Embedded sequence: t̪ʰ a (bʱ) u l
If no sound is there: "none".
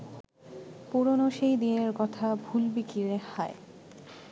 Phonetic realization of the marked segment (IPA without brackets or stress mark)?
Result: bʱ